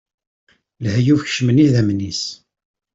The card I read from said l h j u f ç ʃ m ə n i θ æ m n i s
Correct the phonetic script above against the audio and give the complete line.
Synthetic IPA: l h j u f ç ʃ m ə n i ð æ m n i s